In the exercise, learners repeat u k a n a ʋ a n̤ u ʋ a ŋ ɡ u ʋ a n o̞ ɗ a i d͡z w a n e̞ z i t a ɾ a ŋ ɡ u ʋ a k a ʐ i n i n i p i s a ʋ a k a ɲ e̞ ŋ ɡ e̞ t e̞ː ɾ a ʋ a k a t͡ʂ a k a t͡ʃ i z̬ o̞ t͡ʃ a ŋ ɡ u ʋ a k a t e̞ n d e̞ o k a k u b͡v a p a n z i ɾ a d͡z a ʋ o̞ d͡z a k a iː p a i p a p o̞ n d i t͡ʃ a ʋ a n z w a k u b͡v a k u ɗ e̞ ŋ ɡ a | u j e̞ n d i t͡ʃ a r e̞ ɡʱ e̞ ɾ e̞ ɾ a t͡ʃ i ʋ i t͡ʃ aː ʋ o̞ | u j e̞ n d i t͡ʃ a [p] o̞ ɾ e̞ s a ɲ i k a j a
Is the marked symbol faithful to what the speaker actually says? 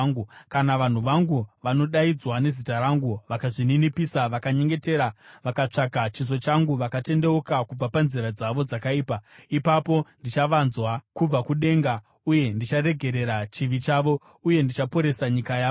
yes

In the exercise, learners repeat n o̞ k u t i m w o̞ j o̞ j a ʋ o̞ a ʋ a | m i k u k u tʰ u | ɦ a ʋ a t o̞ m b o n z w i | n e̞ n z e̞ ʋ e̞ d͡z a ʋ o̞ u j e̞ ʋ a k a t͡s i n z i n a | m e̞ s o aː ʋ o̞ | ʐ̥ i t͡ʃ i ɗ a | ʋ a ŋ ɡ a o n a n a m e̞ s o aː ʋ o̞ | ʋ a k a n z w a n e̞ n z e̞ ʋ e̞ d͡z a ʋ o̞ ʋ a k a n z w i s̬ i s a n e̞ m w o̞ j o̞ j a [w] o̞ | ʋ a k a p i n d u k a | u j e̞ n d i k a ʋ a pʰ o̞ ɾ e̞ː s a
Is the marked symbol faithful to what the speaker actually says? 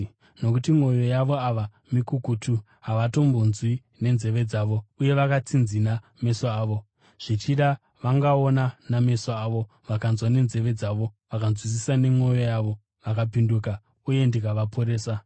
no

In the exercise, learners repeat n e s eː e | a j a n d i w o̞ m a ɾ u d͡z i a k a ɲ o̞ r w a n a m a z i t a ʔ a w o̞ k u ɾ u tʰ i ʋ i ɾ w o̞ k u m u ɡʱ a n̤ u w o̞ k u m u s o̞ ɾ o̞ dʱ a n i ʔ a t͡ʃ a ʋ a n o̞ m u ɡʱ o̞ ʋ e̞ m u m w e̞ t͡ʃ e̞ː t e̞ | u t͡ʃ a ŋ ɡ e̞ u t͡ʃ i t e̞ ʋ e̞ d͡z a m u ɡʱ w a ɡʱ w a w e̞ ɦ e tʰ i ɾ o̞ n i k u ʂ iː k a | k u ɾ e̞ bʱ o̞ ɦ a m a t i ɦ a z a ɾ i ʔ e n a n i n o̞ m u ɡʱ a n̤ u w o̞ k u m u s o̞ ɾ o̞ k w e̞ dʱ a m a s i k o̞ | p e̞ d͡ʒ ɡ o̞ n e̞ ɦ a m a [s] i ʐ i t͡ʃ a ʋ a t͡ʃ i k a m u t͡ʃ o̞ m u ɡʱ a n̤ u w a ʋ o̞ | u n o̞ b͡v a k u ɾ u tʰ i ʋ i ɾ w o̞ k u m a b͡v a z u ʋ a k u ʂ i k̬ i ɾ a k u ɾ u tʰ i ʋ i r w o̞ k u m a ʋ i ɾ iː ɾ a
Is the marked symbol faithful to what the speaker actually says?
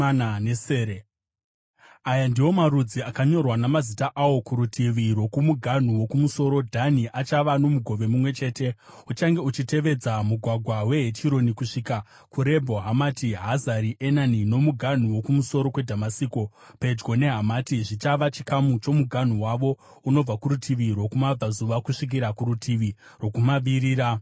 no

